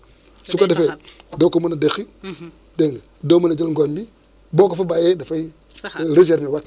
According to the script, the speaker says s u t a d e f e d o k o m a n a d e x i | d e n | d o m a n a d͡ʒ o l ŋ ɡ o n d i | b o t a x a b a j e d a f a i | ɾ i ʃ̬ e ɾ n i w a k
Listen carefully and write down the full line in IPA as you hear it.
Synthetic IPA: s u k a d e f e d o k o m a n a d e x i | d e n | d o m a n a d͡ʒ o l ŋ ɡ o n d i | b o k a f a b a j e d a f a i | ɾ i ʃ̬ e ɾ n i w a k